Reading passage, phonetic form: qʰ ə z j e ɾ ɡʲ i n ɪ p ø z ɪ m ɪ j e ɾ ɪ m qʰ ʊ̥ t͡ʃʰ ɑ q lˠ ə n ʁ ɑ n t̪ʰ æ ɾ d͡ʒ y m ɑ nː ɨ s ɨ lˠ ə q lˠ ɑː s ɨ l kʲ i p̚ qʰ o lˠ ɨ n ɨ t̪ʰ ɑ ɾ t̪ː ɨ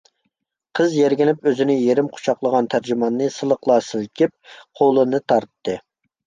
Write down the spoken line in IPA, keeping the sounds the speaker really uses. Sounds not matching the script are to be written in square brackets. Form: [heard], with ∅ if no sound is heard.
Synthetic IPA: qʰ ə z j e ɾ ɡʲ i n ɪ p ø z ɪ [n] ɪ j e ɾ ɪ m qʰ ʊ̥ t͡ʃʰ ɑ q lˠ ə [∅] ʁ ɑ n t̪ʰ æ ɾ d͡ʒ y m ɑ nː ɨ s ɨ lˠ ə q lˠ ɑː s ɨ l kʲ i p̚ qʰ o lˠ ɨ n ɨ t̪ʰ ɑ ɾ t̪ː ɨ